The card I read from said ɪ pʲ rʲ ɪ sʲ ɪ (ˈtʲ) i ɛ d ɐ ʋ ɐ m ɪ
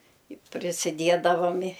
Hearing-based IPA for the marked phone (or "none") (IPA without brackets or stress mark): dʲ